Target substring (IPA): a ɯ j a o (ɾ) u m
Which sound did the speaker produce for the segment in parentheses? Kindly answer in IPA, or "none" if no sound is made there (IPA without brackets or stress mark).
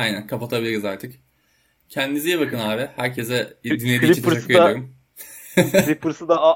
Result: ɾ